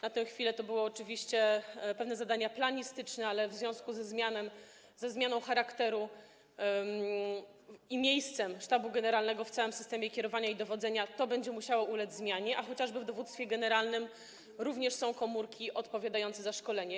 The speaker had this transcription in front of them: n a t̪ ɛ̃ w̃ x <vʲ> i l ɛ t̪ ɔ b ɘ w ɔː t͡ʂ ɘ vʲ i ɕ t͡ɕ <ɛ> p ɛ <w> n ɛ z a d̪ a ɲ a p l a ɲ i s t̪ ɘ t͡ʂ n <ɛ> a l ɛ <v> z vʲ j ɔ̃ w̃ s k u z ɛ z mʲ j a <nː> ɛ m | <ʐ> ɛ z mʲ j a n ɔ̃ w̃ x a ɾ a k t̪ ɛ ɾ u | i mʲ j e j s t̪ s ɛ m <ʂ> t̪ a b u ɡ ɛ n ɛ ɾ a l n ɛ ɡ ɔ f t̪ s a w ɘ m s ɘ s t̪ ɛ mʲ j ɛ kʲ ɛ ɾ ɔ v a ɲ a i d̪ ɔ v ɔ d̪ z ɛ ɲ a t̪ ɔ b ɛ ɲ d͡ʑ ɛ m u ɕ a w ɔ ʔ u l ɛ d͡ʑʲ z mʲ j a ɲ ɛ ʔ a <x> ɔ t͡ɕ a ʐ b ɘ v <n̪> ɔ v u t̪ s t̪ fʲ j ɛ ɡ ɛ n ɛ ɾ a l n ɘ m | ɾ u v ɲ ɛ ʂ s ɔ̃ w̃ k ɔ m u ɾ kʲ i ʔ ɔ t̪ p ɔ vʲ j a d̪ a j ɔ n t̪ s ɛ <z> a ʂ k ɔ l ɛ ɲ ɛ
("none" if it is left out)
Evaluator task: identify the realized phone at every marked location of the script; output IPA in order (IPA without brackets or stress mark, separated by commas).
fʲ, ɛ, v, ɛ, v, n, z, ʂ, x, d̪, z